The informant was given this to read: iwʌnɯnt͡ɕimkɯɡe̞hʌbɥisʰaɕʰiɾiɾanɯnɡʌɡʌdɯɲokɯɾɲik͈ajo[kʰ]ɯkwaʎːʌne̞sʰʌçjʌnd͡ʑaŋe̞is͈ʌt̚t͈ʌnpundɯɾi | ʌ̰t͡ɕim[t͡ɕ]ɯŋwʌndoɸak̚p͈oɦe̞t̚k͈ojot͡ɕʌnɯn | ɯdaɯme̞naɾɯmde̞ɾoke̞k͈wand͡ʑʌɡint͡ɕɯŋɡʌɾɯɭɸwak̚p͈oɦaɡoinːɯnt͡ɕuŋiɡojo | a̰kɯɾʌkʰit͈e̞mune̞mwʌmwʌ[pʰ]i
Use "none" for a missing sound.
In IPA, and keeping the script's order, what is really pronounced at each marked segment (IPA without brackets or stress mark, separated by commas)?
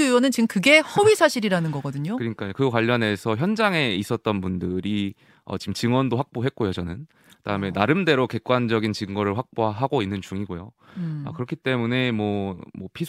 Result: k, t͡ɕ, pʰ